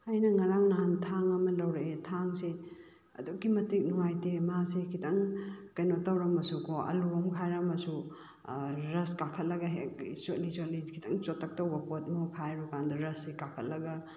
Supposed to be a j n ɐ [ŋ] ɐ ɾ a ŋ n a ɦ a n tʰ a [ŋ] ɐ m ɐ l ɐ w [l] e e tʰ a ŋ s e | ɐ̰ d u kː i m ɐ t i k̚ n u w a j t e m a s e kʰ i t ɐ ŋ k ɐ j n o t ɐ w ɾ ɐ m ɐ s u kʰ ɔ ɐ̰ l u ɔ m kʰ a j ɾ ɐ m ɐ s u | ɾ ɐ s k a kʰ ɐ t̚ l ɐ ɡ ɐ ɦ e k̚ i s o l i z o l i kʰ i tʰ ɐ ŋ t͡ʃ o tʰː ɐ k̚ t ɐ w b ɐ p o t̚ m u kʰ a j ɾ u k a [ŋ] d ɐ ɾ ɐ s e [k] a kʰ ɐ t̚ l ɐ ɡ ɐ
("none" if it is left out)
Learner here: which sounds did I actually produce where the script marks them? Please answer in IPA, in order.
ŋ, ŋ, ɾ, n, k

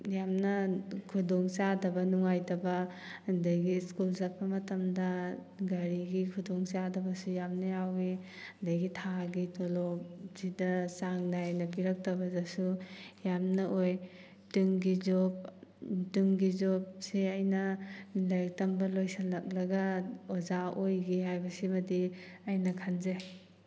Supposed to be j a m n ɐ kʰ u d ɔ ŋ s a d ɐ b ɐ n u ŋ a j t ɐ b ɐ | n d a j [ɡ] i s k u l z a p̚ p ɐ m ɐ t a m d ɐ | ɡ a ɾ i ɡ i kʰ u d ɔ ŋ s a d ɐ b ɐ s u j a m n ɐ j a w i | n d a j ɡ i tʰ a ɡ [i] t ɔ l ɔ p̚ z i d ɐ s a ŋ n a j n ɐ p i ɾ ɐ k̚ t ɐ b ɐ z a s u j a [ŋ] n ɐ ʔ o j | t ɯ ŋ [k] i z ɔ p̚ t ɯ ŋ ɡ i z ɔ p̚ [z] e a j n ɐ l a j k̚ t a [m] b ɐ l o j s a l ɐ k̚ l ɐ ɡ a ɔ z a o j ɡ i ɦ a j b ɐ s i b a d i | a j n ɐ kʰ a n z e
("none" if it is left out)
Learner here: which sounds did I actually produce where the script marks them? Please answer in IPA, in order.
ɡ, i, m, ɡ, s, m

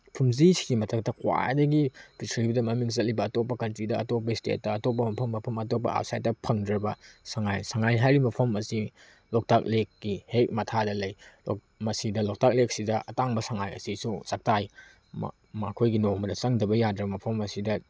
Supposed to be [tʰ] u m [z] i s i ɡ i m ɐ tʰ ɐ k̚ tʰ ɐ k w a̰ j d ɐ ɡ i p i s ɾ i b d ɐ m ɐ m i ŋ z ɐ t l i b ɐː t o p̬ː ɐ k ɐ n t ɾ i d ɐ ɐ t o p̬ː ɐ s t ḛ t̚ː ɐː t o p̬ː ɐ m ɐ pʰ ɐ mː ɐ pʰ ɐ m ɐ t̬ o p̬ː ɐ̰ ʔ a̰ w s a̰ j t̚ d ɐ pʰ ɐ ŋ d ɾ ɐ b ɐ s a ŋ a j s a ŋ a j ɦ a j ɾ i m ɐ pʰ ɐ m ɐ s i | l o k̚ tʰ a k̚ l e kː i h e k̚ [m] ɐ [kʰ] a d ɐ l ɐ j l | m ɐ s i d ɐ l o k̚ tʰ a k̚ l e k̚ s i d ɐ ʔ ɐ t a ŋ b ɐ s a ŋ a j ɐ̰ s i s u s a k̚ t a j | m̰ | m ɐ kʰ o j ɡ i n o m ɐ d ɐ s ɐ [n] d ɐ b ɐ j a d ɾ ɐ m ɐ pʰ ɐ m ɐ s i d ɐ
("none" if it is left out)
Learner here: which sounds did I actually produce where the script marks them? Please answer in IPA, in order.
pʰ, z, m, tʰ, ŋ

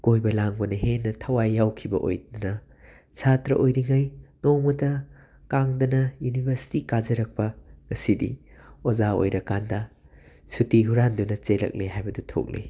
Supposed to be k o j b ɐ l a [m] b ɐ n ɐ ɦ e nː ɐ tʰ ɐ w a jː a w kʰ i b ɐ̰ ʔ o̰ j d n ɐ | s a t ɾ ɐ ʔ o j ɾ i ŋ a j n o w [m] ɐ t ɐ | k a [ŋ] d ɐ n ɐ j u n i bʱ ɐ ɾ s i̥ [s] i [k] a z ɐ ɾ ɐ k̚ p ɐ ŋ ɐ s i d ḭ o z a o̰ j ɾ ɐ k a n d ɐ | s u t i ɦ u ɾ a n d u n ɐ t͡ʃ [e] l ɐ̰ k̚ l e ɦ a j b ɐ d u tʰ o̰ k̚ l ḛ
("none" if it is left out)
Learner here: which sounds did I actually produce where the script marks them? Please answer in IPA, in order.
ŋ, m, ŋ, t, k, e

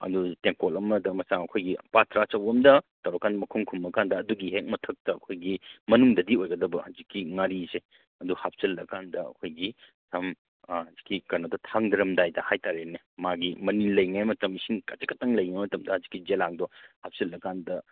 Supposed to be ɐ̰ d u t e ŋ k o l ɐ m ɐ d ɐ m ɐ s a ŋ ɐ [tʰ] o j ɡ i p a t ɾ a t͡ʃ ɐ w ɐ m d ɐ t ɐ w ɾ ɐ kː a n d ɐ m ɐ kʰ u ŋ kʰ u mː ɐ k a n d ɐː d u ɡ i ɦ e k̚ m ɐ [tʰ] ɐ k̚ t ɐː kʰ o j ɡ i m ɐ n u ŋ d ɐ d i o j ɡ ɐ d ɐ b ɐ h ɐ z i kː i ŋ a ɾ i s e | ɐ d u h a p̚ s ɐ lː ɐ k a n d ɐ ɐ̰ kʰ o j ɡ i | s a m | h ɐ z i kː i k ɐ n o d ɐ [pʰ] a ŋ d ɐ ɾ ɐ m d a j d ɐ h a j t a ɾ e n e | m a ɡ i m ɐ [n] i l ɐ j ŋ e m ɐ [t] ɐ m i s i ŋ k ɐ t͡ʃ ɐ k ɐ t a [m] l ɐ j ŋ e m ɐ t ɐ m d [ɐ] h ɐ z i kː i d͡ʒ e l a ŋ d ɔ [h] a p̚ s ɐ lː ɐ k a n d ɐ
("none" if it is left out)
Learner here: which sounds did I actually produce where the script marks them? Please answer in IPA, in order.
kʰ, tʰ, tʰ, n, t, ŋ, ɐ, h

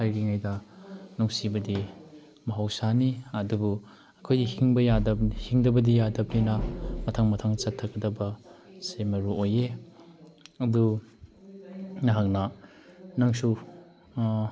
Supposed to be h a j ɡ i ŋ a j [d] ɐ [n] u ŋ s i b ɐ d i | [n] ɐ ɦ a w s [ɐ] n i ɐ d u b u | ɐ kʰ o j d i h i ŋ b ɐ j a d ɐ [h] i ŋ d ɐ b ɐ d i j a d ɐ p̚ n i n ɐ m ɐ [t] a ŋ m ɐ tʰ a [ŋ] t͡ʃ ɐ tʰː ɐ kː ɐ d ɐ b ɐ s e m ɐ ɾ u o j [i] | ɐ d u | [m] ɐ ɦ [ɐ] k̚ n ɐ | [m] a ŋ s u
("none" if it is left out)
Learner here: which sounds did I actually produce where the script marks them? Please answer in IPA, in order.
d, n, m, a, h, tʰ, ŋ, e, n, a, n

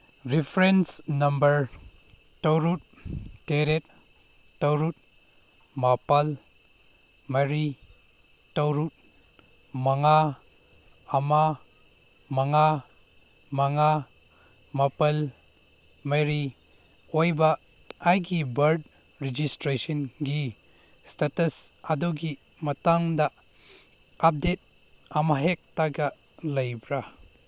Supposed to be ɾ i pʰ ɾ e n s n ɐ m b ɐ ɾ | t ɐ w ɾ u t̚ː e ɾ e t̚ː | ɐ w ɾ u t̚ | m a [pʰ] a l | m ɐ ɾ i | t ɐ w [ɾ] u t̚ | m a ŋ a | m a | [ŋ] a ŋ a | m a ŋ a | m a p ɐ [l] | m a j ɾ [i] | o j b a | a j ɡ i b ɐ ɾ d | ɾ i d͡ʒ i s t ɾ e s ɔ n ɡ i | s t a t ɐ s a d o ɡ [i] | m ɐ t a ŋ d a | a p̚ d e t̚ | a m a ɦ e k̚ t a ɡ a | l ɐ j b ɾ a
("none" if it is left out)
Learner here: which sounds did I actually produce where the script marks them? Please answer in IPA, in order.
p, ɾ, m, l, i, i

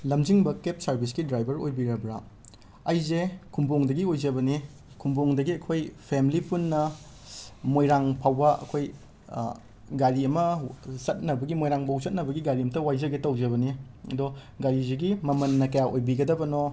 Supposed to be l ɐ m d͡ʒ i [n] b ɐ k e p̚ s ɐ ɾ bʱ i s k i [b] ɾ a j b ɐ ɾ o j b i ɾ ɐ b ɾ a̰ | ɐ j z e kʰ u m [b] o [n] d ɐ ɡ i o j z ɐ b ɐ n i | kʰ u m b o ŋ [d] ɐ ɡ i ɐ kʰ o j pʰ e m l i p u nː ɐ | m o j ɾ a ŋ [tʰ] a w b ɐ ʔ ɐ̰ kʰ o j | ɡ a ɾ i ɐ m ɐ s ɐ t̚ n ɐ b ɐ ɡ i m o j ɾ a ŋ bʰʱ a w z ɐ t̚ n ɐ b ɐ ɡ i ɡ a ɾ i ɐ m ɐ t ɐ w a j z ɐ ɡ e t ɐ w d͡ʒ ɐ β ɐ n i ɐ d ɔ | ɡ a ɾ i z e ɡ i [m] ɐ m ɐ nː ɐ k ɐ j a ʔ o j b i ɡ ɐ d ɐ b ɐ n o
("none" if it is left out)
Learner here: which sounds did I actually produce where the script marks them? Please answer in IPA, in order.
ŋ, d, b, ŋ, d, pʰ, m

